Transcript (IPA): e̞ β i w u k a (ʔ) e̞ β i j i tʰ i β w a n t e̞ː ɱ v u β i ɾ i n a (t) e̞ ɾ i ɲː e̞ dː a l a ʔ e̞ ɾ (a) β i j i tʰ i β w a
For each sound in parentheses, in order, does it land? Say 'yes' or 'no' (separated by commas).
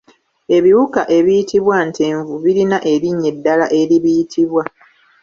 yes, no, no